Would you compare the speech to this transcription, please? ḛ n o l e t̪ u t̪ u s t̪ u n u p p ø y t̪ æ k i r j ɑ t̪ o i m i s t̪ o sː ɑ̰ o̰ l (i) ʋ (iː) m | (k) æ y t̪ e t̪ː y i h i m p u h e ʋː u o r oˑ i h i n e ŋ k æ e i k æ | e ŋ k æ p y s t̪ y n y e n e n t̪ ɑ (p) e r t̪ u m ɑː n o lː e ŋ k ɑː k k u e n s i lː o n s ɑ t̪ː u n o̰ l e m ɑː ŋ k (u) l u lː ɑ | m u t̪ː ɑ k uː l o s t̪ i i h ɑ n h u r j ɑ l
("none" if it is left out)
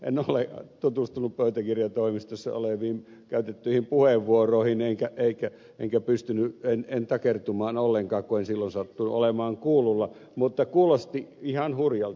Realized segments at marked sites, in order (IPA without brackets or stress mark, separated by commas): e, iː, k, k, uː